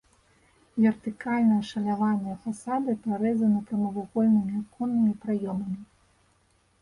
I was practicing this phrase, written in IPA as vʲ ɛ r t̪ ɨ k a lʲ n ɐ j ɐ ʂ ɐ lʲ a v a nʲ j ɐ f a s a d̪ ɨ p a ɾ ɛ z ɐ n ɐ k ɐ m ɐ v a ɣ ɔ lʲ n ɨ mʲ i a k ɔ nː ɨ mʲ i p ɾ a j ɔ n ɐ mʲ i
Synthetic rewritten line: vʲ ɛ r t̪ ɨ k a lʲ n ɐ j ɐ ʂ ɐ lʲ a v a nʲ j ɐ f a s a d̪ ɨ p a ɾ ɛ z ɐ n ɐ k ɐ m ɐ v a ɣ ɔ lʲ n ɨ mʲ i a k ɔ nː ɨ mʲ i p ɾ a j ɔ m ɐ mʲ i